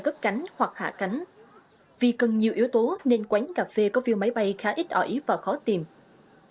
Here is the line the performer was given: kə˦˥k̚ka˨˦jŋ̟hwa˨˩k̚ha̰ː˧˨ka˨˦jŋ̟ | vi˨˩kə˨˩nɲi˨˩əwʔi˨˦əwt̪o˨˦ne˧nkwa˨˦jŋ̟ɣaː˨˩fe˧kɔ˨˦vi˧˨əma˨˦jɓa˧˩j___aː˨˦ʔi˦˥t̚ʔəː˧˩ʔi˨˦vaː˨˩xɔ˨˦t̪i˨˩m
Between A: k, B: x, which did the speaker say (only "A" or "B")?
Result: B